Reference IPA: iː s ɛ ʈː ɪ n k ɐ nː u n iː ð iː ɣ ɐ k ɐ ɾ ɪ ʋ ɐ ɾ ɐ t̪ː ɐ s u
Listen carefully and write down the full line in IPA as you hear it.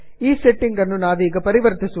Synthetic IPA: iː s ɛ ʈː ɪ ŋ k ɐ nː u n aː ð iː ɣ ɐ p ɐ ɾ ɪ ʋ ɐ ɾ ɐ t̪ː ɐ s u

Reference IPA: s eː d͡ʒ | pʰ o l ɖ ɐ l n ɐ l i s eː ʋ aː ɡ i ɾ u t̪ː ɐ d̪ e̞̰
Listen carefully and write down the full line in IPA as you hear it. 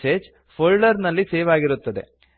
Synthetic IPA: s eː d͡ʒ | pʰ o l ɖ ɐ ɾ n ɐ lː i s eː ʋ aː ɡ i ɾ u t̪ː ɐ d̪ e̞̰

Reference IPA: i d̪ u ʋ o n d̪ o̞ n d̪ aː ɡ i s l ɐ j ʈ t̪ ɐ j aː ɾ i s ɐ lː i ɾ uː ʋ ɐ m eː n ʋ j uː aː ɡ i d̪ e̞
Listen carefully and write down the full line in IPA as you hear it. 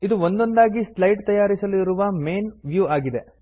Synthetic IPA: i d̪ u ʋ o n d̪ o̞ n d̪ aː ɡ i s l ɐ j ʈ t̪ ɐ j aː ɾ i s ɐ l i ɾ u ʋ ɐ m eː n ʋ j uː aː ɡ i d̪ e̞

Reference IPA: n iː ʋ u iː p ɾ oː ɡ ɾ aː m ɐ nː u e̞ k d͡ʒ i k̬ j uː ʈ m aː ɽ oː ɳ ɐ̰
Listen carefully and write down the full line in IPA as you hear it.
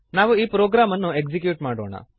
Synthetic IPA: n aː ʋ u iː p ɾ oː ɡ ɾ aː m ɐ nː u e̞ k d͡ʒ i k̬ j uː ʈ m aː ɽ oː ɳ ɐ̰

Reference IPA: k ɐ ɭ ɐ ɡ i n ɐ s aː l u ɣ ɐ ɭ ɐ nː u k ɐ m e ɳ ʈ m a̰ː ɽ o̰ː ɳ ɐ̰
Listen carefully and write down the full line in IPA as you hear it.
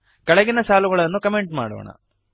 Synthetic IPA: k ɐ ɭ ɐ ɡ i n ɐ s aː l u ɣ ɐ ɭ ɐ nː u k ɐ m e ɳ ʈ m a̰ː ɽ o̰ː ɳ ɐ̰

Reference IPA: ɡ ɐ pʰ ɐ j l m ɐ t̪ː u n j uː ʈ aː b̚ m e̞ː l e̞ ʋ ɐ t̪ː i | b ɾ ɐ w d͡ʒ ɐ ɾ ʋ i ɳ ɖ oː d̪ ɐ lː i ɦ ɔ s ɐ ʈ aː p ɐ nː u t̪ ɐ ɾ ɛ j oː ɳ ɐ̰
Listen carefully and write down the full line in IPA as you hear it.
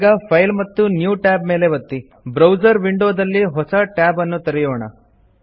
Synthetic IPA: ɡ ɐ pʰ ɐ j l m ɐ t̪ː u n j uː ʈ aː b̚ m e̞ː l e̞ ʋ ɐ t̪ː i | b ɾ ɐ w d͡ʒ ɐ ɾ ʋ i ɳ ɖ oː d̪ ɐ lː i ɦ ɔ s ɐ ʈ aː b ɐ nː u t̪ ɐ ɾ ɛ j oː ɳ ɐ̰

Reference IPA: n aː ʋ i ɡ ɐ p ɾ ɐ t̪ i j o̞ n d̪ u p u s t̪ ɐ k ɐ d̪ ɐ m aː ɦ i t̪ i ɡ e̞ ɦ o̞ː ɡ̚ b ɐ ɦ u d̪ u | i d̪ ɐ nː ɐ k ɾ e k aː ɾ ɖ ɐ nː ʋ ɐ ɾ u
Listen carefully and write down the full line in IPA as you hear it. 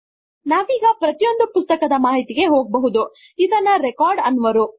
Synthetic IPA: n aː ʋ iː ɡ ɐ p ɾ ɐ t̪ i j o̞ n d̪ u p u s t̪ ɐ k ɐ d̪ ɐ m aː ɦ i t̪ i ɡ e̞ ɦ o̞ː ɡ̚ b ɐ ɦ u d̪ u | i d̪ ɐ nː ɐ ɾ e k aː ɾ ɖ ɐ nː ʋ ɐ ɾ u

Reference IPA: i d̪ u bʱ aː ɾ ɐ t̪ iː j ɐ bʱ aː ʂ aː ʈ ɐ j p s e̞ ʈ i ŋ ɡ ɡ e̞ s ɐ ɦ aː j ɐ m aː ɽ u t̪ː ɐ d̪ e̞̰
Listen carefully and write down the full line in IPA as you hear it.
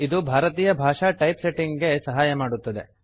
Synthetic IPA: i d̪ u bʱ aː ɾ ɐ t̪ iː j ɐ bʱ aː ʂ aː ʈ ɐ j p s e̞ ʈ i ŋ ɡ ɡ e̞ s ɐ ɦ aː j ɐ m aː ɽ u t̪ː ɐ d̪ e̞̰

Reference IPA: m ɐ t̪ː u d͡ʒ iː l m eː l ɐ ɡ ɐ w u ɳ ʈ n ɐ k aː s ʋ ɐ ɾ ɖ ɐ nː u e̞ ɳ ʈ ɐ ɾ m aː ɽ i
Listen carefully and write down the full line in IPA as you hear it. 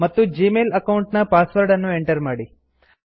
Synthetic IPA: m ɐ t̪ː u d͡ʒ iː m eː l ɐ k ɐ w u ɳ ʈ n ɐ p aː s ʋ ɐ ɾ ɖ ɐ nː u e̞ ɳ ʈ ɐ ɾ m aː ɽ i

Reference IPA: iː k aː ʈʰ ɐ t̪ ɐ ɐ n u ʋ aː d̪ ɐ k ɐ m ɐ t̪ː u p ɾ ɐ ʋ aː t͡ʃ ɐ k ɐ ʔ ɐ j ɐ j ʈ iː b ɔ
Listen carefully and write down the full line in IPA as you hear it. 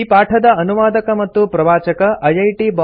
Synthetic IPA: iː p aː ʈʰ ɐ d̪ ɐ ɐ n u ʋ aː d̪ ɐ k ɐ m ɐ t̪ː u p ɾ ɐ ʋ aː t͡ʃ ɐ k ɐ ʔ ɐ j ɐ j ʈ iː b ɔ

